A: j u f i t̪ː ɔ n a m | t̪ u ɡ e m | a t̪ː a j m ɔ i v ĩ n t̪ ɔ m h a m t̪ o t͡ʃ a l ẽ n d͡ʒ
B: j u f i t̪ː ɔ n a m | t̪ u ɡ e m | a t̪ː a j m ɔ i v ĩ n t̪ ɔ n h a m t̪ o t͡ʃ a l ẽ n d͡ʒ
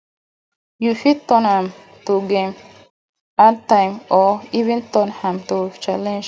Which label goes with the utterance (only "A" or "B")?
B